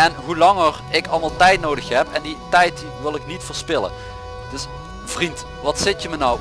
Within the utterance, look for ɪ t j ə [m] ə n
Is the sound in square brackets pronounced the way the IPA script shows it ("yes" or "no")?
yes